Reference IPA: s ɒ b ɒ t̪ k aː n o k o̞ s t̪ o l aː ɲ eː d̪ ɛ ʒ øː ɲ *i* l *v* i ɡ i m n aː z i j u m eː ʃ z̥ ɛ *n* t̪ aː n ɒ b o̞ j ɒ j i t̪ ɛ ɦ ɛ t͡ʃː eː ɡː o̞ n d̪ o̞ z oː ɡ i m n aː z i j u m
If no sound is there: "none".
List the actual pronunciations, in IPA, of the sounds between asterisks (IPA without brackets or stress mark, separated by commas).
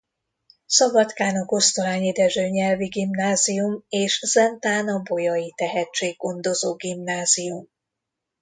ɛ, v, n